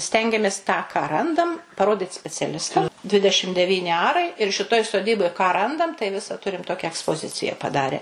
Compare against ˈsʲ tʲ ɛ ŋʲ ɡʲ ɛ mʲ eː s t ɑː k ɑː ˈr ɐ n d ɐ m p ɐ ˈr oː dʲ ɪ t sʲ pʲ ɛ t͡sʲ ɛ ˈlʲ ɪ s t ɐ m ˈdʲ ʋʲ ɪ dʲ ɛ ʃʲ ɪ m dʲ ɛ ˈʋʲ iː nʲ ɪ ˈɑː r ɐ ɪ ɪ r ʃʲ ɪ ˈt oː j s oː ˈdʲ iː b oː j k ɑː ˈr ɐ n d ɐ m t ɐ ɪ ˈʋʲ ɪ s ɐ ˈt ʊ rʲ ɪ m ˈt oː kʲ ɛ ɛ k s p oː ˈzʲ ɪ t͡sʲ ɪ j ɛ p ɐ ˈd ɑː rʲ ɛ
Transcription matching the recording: ˈsʲ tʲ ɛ ŋʲ ɡʲ ɛ mʲ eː s t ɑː k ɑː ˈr ɐ n d ɐ m p ɐ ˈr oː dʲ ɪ t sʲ pʲ ɛ t͡sʲ ɛ ˈlʲ ɪ s t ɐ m ˈdʲ ʋʲ ɪ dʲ ɛ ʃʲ ɪ m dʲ ɛ ˈʋʲ iː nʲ ɪ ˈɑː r ɐ ɪ ɪ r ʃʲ ɪ ˈt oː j s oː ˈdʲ iː b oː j k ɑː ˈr ɐ n d ɐ m t ɐ ɪ ˈʋʲ ɪ s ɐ ˈt ʊ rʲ ɪ m ˈt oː kʲ ɛ ɛ k s p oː ˈzʲ ɪ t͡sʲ ɪ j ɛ p ɐ ˈd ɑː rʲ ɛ